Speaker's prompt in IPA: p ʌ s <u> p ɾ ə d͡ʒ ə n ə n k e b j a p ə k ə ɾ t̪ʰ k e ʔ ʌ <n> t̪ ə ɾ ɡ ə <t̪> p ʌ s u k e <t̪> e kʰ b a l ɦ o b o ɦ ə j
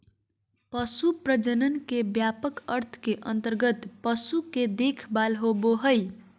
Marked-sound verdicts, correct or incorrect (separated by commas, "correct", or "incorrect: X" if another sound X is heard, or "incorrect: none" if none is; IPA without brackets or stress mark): correct, correct, correct, incorrect: d̪